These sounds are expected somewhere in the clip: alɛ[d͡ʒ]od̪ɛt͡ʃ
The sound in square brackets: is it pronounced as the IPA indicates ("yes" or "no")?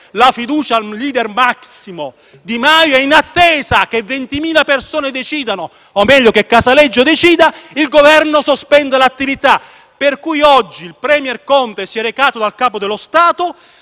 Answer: no